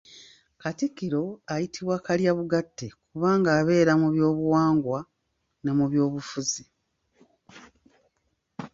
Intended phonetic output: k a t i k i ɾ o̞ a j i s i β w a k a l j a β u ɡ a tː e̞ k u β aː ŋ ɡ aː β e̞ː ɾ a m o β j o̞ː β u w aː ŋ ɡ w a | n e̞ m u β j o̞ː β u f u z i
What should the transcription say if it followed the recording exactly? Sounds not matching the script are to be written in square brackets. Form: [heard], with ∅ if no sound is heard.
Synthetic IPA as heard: k a t i k i ɾ o̞ a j i [t] i β w a k a l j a β u ɡ a tː e̞ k u β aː ŋ ɡ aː β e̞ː ɾ a m [u] β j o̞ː β u w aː ŋ ɡ w a | n e̞ m u β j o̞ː β u f u z i